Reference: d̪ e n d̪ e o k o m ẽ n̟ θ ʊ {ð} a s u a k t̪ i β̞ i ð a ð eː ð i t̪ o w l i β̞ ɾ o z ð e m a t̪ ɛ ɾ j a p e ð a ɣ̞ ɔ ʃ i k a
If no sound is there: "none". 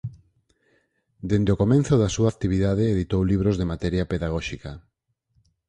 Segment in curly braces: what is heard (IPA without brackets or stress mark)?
ð